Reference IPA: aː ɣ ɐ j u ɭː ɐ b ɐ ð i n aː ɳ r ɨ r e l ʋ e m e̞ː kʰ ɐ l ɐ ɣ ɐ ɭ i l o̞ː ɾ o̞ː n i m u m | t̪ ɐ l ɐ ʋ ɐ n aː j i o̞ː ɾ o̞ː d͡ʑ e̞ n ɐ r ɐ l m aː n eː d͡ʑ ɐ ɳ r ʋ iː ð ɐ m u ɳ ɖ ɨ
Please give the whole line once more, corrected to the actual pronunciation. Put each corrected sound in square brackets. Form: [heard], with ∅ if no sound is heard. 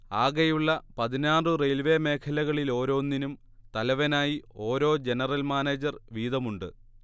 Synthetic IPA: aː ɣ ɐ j u ɭː ɐ [p] ɐ ð i n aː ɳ r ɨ r e l ʋ e m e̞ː kʰ ɐ l ɐ ɣ ɐ ɭ i l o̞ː ɾ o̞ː [nː] i [n] u m | t̪ ɐ l ɐ ʋ ɐ n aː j i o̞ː ɾ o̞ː d͡ʑ e̞ n ɐ r ɐ l m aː n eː d͡ʑ ɐ [∅] r ʋ iː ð ɐ m u ɳ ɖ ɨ